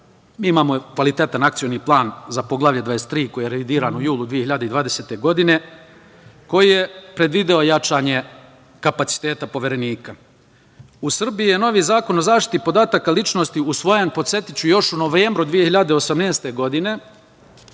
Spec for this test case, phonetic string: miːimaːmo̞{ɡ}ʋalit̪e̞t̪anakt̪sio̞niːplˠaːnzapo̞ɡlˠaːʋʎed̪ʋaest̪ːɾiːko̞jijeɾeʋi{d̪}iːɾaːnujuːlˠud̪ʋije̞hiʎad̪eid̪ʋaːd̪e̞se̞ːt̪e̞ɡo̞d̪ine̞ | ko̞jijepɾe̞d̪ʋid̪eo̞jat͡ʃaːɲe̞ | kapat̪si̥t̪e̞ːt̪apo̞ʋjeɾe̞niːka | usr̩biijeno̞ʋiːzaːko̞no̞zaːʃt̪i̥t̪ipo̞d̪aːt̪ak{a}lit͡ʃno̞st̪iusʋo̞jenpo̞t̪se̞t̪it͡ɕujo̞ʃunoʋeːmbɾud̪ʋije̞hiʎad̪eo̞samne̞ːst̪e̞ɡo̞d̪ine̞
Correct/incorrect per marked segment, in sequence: incorrect: k, correct, correct

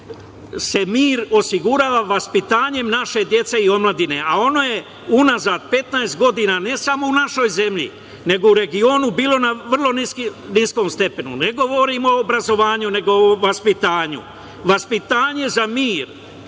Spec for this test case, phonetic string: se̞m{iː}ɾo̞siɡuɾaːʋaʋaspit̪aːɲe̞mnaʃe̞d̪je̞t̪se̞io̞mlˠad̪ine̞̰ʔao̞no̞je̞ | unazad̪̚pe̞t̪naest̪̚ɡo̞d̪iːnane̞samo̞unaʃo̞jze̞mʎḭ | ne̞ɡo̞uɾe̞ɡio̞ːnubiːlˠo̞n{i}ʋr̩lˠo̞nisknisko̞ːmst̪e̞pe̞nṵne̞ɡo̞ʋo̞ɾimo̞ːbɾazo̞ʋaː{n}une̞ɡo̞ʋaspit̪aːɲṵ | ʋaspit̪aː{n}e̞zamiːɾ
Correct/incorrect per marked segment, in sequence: correct, incorrect: a, incorrect: ɲ, incorrect: ɲ

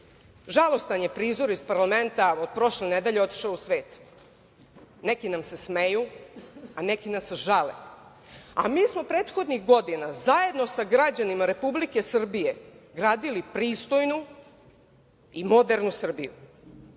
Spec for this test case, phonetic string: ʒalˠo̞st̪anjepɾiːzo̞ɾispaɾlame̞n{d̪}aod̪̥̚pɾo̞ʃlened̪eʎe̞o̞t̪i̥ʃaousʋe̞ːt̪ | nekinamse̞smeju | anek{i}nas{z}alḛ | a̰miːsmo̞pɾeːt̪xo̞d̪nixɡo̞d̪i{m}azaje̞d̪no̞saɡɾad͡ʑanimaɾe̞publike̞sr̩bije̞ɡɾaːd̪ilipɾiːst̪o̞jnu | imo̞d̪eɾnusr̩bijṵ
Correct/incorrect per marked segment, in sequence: incorrect: t̪, correct, incorrect: ʒ, incorrect: n

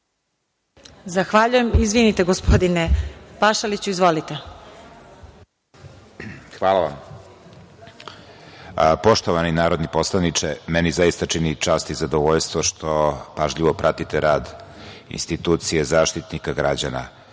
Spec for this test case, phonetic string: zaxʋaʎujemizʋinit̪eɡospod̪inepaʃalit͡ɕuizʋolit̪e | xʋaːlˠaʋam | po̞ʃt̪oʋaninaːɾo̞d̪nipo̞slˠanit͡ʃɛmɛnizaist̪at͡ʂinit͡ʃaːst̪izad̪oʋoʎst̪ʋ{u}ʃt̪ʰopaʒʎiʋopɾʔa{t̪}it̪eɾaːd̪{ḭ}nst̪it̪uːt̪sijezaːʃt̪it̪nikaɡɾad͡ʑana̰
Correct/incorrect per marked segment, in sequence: incorrect: o, correct, correct

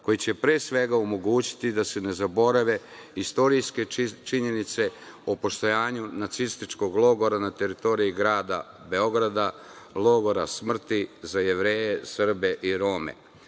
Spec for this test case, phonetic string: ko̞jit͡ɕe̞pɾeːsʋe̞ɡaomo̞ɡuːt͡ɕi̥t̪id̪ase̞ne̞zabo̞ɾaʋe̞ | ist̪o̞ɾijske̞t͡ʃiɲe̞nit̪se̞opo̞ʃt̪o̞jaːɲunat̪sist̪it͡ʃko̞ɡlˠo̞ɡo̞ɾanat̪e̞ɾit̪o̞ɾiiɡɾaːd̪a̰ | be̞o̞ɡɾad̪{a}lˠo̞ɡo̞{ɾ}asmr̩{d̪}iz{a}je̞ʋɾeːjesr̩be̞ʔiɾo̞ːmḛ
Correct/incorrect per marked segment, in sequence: correct, correct, incorrect: t̪, correct

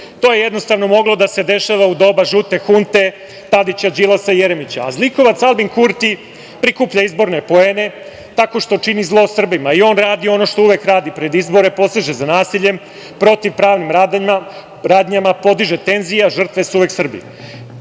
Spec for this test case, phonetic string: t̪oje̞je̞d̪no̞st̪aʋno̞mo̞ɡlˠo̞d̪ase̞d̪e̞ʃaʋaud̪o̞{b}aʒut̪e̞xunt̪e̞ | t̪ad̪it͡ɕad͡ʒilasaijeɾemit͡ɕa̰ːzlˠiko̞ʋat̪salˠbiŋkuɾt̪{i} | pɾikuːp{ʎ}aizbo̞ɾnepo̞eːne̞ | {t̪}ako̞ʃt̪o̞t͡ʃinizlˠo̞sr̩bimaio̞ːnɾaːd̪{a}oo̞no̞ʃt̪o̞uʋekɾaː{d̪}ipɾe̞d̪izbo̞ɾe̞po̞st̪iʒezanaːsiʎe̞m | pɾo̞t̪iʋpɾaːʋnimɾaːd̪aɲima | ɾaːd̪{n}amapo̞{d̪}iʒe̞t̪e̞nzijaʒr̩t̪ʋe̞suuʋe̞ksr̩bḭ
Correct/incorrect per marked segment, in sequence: correct, correct, correct, correct, incorrect: i, correct, incorrect: ɲ, correct

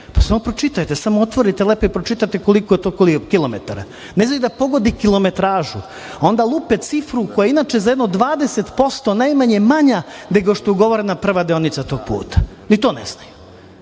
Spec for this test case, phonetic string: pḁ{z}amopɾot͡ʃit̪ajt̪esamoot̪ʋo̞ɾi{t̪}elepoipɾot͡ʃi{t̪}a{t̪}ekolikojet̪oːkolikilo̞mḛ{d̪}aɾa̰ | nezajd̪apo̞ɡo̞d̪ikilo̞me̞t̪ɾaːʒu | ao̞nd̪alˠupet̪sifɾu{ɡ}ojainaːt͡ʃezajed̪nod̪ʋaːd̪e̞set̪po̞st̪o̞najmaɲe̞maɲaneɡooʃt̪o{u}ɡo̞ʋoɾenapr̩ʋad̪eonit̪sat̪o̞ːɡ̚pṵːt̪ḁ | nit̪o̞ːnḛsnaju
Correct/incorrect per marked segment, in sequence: incorrect: s, correct, correct, correct, incorrect: t̪, incorrect: k, correct

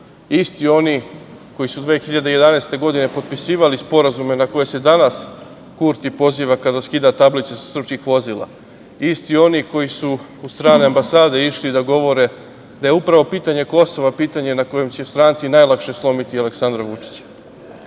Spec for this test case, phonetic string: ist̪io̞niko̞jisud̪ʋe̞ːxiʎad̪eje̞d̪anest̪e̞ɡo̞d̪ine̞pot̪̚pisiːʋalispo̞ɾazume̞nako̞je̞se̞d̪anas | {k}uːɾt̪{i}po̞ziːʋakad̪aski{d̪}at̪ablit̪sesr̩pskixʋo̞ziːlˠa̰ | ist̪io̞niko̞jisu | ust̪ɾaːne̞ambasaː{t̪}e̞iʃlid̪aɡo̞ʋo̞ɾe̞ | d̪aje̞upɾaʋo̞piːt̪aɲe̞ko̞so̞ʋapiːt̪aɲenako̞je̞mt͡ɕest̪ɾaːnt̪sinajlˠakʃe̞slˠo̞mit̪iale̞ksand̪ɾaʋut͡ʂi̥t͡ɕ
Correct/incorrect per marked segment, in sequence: correct, correct, correct, incorrect: d̪

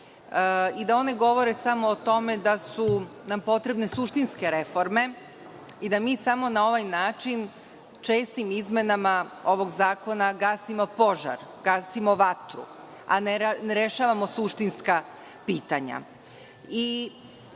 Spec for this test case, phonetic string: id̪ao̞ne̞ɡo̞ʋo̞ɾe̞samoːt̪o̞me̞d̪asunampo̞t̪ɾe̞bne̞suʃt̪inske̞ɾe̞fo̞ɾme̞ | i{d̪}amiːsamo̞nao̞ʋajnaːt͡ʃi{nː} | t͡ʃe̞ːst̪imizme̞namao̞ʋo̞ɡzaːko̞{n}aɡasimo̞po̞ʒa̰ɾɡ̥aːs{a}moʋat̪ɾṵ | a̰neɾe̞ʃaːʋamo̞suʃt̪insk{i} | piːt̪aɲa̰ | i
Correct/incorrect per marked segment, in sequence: correct, incorrect: n, correct, incorrect: i, incorrect: a

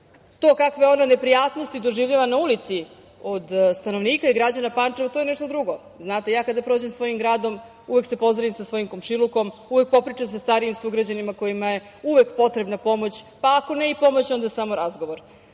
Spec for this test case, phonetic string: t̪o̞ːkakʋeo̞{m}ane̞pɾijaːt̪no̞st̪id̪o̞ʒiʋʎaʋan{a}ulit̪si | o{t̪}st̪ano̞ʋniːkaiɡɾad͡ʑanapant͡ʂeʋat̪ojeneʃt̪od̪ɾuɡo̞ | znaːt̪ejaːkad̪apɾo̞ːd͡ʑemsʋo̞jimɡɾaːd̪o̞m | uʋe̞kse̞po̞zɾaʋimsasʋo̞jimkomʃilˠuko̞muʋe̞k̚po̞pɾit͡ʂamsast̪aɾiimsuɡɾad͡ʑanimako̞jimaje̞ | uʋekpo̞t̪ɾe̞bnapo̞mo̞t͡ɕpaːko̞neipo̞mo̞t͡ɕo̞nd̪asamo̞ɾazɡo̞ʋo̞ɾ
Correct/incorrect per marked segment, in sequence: incorrect: n, correct, incorrect: d̪

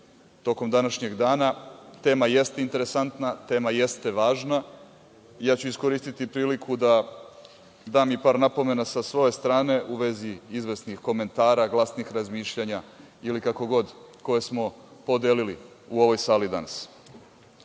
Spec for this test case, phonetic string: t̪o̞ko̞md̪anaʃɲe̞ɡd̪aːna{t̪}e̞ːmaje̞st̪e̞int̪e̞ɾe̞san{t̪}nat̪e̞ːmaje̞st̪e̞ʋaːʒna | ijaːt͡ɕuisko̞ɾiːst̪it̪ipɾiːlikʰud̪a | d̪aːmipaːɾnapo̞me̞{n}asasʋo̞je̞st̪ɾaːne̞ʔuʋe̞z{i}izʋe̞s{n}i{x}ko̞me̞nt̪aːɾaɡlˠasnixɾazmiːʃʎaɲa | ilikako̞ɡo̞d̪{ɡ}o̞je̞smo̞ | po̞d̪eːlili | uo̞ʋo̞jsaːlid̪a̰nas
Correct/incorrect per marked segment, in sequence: correct, correct, correct, correct, correct, correct, incorrect: k

